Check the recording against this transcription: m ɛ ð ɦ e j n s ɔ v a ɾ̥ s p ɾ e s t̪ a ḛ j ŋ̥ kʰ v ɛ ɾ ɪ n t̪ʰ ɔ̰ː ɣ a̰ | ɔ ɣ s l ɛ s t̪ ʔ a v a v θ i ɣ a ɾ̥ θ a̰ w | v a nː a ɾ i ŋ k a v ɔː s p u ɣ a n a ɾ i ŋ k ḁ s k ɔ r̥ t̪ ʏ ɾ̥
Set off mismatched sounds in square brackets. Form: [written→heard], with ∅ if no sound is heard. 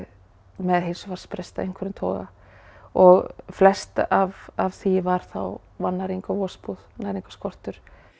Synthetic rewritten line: m ɛ ð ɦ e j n s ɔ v a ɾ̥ s p ɾ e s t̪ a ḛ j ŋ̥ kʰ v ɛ ɾ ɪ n t̪ʰ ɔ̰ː ɣ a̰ | ɔ ɣ [s→f] l ɛ s t̪ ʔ a v a v θ i [ɣ→v] a ɾ̥ θ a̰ w | v a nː a ɾ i ŋ k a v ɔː s p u [ɣ→ð] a n a ɾ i ŋ k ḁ s k ɔ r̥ t̪ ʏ ɾ̥